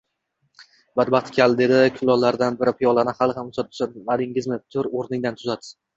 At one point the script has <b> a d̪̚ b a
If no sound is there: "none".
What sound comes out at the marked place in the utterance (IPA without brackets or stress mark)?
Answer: b